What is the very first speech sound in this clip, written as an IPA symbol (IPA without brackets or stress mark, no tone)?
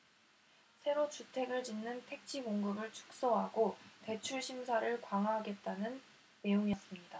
sʰ